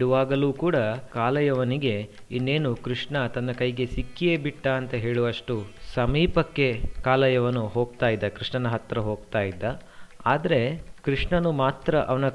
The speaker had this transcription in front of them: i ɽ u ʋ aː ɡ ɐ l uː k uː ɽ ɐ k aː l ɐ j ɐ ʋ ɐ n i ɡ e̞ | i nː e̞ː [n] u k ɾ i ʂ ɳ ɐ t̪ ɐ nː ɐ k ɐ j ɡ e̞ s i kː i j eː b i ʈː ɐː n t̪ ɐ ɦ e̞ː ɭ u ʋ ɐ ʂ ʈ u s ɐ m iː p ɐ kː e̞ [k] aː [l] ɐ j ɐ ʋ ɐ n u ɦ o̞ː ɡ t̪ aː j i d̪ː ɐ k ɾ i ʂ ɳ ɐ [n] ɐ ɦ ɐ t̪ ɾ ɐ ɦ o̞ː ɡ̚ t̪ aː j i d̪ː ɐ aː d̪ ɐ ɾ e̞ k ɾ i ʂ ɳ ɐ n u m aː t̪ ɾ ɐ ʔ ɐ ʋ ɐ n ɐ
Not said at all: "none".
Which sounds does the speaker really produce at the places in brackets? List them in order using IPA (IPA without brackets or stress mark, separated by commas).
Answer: n, k, l, n